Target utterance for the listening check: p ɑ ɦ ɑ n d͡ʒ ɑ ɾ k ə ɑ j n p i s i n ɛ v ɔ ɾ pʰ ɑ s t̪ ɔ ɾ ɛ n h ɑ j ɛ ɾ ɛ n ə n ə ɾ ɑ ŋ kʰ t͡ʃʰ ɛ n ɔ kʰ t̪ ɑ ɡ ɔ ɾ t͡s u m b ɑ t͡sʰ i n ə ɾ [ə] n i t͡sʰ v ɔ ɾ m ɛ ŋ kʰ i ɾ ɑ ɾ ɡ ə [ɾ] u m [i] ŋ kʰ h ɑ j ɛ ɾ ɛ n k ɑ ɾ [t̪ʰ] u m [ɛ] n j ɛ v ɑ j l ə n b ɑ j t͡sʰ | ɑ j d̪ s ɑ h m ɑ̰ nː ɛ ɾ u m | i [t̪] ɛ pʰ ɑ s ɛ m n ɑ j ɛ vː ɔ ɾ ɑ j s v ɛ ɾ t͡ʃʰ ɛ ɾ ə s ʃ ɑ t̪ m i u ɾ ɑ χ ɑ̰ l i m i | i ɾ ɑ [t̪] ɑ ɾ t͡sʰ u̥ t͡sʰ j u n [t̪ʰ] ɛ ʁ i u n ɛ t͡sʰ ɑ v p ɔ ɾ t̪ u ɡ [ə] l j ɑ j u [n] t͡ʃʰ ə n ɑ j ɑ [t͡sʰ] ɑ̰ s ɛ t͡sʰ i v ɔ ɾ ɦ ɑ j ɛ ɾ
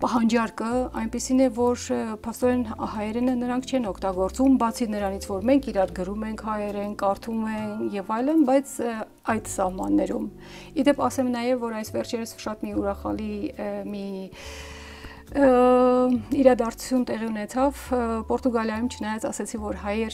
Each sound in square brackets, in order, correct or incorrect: incorrect, correct, incorrect, correct, correct, incorrect, incorrect, incorrect, incorrect, incorrect, incorrect

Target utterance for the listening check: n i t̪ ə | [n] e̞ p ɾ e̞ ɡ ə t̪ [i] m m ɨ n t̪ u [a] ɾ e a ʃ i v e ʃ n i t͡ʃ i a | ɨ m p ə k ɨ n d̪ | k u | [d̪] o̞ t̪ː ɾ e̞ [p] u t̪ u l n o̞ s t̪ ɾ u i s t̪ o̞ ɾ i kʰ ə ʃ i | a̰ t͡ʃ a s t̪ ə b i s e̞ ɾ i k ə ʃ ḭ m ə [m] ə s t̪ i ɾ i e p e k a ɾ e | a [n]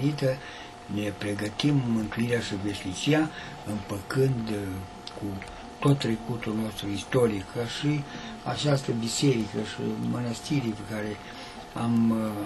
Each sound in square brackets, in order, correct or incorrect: correct, correct, incorrect, incorrect, incorrect, incorrect, incorrect

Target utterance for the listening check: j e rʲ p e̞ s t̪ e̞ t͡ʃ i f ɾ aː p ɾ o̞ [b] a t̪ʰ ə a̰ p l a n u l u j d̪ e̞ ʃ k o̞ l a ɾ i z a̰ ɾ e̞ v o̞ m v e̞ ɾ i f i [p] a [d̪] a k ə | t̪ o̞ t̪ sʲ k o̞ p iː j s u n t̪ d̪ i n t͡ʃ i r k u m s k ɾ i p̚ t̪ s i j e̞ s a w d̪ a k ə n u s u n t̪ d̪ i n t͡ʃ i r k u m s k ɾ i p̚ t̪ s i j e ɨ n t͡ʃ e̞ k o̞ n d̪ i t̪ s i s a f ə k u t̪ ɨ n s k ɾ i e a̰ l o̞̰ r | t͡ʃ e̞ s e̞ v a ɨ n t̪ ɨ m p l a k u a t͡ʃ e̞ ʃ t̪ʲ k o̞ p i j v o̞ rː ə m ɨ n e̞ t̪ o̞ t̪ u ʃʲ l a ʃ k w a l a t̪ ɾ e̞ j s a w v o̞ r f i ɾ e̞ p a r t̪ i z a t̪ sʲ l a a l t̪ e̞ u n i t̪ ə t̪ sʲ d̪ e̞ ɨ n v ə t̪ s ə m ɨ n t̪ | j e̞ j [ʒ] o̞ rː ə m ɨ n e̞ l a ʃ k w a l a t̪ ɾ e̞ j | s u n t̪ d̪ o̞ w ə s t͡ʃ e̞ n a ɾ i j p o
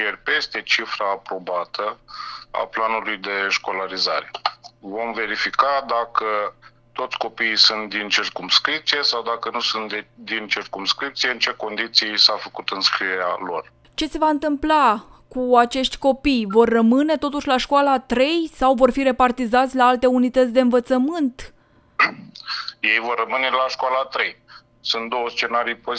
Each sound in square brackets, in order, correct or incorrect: correct, incorrect, correct, incorrect

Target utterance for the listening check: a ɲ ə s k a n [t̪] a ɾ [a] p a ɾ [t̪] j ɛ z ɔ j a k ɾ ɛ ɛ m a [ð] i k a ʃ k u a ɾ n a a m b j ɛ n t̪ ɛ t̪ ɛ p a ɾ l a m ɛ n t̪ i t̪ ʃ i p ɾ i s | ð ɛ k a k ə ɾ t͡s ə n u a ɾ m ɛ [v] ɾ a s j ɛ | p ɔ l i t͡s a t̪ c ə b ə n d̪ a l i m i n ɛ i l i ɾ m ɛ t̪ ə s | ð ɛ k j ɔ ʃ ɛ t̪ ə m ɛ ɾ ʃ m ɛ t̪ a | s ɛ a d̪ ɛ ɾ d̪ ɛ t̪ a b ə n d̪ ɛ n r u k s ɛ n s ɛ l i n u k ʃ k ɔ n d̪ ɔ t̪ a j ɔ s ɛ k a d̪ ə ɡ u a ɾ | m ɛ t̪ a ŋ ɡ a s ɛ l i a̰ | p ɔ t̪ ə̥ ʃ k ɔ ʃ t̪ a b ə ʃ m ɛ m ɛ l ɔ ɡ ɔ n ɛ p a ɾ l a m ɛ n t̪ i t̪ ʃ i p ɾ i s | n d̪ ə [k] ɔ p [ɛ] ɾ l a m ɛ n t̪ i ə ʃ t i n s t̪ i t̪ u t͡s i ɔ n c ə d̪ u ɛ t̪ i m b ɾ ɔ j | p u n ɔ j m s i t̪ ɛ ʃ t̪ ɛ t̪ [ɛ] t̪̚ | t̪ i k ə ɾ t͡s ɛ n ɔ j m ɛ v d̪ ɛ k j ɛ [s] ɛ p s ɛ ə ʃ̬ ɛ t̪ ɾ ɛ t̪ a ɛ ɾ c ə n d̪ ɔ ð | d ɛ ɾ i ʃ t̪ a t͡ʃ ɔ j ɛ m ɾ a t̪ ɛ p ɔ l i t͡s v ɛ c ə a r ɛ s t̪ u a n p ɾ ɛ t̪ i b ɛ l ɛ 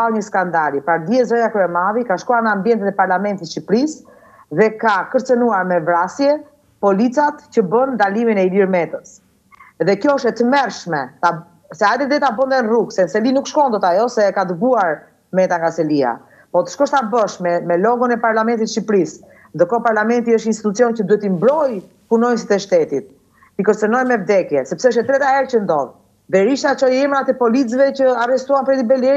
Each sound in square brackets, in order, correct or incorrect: incorrect, incorrect, incorrect, correct, correct, correct, incorrect, incorrect, correct

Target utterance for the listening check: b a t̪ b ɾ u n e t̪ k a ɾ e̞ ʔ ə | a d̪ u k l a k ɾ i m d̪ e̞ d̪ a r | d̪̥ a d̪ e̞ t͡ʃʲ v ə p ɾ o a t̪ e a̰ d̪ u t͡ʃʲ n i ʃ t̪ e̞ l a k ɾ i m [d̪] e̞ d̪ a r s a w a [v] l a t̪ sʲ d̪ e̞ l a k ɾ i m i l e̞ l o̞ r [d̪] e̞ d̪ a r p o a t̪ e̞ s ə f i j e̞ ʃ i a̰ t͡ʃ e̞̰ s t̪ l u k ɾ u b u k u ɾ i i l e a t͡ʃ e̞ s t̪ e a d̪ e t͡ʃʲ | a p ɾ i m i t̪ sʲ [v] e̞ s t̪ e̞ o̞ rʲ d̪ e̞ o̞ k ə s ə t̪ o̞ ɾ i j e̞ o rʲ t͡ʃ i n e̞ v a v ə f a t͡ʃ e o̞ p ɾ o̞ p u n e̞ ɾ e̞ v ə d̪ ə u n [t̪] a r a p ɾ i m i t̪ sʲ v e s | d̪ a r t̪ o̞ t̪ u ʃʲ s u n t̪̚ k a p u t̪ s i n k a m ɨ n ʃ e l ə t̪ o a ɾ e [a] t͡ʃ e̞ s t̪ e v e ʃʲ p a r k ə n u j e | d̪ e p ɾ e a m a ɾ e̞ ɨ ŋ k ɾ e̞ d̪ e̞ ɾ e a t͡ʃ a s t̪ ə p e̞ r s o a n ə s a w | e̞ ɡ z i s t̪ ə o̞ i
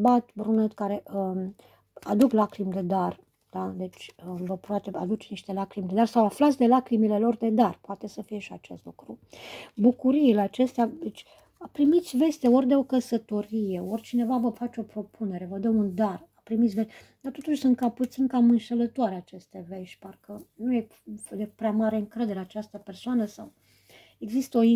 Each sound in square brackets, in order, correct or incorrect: correct, incorrect, correct, correct, incorrect, correct

